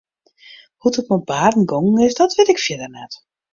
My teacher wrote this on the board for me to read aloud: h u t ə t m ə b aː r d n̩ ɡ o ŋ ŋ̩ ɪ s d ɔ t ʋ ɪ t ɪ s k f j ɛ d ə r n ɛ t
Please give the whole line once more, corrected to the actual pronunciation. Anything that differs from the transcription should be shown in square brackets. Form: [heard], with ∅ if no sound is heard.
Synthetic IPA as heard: h u t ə t m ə b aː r d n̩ ɡ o ŋ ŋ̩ ɪ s d ɔ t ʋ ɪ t ɪ [∅] k f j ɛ d ə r n ɛ t